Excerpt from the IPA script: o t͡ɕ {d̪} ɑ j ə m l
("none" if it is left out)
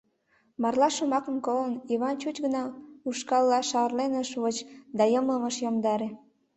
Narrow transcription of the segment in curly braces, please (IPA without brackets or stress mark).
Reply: d̪